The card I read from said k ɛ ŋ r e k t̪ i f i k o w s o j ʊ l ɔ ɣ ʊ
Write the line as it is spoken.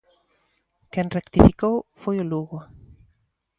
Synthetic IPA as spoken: k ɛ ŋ r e k t̪ i f i k o w f o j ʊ l u ɣ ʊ